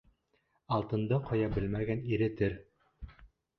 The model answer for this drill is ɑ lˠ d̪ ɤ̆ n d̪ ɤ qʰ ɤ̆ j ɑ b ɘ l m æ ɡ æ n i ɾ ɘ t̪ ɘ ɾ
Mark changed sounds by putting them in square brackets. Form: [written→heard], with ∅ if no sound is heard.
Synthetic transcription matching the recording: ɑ lˠ [d̪→t̪] ɤ̆ n d̪ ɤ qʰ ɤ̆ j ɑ b ɘ l m æ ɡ æ n i ɾ ɘ t̪ ɘ ɾ